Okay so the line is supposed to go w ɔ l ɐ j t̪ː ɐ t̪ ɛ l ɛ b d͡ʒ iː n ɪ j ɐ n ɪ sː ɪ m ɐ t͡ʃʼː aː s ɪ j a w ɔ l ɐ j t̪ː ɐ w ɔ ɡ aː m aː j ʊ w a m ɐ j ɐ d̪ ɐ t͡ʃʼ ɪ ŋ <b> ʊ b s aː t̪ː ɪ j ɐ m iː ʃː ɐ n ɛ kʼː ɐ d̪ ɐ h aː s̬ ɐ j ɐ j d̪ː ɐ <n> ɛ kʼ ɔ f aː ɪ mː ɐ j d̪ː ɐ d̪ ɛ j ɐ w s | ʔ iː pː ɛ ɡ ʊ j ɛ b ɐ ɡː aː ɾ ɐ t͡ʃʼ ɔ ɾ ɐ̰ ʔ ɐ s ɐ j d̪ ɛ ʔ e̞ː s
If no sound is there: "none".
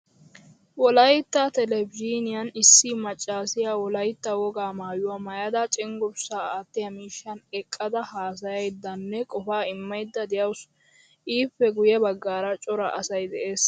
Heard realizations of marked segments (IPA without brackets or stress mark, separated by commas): ɡ, nː